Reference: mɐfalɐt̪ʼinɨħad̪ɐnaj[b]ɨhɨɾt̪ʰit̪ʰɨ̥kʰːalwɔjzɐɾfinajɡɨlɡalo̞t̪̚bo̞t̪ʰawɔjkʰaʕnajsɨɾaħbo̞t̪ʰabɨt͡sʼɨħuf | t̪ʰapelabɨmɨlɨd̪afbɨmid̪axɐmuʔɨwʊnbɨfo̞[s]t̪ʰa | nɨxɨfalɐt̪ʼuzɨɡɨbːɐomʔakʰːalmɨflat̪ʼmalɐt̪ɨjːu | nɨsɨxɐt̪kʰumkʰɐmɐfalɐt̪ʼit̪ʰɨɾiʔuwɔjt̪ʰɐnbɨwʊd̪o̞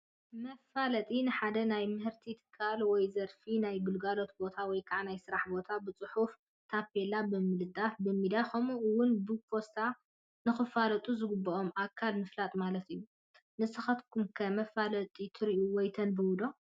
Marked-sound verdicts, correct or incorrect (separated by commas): incorrect, correct